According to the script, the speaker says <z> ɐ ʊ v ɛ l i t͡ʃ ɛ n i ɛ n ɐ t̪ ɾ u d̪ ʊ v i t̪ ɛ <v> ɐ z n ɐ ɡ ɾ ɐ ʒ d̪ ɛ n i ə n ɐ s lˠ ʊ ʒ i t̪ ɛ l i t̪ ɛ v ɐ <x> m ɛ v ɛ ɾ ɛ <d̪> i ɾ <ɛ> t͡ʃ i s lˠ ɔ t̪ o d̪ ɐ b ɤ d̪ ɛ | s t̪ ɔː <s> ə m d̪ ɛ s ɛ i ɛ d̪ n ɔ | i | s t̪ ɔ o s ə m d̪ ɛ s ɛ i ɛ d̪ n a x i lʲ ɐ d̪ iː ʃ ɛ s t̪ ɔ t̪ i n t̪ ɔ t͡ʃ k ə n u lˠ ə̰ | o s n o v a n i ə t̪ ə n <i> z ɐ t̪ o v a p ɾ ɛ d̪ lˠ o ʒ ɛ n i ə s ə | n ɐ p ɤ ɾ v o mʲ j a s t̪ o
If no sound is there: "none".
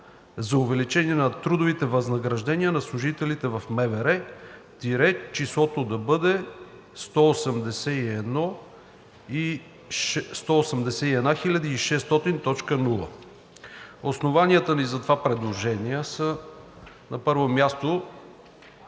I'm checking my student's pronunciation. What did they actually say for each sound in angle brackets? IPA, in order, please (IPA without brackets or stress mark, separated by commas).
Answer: z, v, f, t̪, ɛ, s, i